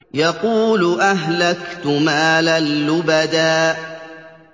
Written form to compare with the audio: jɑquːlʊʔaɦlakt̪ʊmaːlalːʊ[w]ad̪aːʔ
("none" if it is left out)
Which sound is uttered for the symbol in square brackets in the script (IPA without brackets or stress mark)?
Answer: b